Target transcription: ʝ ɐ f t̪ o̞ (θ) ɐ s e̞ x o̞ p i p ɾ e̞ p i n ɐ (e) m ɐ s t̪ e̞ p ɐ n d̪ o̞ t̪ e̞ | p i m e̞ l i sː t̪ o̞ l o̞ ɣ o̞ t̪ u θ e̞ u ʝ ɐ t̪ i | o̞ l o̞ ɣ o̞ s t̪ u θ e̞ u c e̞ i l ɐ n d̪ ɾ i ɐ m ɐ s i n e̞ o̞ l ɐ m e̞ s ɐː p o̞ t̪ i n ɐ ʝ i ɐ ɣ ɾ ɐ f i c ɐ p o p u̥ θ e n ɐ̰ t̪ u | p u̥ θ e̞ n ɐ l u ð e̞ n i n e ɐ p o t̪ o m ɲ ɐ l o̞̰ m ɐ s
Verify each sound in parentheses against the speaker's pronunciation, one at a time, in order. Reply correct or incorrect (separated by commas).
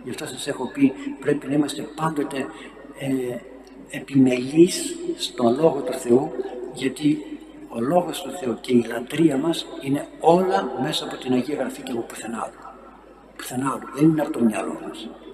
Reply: incorrect, incorrect